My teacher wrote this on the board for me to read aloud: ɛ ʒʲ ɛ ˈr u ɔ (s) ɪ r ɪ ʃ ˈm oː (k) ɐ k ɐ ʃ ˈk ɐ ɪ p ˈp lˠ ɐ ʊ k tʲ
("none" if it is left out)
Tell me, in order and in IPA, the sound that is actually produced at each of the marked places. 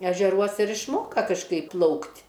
s, k

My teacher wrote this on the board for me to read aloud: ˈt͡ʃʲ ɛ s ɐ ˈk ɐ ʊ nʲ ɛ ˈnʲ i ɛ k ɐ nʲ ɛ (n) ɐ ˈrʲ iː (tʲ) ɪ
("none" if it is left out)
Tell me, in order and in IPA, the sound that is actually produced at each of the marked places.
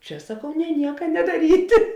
d, tʲ

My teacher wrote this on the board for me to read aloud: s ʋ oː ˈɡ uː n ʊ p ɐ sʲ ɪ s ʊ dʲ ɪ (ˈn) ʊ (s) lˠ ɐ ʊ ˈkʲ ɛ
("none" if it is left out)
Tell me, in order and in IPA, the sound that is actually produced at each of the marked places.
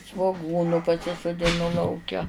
n, none

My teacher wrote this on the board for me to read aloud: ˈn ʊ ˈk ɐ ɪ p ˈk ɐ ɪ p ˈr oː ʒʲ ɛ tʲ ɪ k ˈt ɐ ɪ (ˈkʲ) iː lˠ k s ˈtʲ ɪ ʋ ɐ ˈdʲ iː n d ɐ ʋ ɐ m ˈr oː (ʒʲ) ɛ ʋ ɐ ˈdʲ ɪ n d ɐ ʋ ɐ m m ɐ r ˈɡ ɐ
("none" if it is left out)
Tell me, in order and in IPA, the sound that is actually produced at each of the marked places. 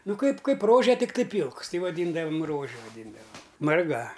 pʲ, ʒʲ

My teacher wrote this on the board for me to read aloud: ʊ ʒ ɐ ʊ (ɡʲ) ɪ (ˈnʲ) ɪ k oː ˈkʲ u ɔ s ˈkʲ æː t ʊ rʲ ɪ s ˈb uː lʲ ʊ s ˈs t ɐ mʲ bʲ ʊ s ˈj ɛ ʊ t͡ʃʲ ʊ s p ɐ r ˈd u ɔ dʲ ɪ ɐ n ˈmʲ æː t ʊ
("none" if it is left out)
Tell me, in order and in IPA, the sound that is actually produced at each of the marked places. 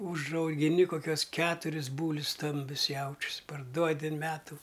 ɡʲ, nʲ

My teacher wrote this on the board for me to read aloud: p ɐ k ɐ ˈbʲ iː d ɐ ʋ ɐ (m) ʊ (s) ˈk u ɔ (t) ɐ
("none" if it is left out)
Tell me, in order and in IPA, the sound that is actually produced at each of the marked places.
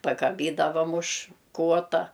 m, ʃ, t

